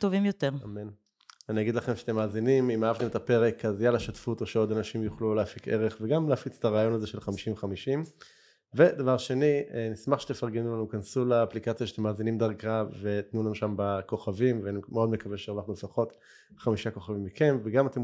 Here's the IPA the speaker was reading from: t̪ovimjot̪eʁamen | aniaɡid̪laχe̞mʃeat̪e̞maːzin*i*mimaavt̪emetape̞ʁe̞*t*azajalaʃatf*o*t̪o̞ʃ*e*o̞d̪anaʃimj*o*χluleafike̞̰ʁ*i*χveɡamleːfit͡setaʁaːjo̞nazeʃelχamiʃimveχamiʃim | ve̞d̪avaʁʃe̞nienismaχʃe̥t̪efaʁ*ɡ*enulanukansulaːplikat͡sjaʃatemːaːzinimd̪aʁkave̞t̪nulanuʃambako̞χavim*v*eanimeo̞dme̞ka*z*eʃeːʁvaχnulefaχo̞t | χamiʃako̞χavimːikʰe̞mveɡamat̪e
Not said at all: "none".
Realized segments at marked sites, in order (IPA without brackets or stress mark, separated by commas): i, k, u, e, u, e, ɡ, v, v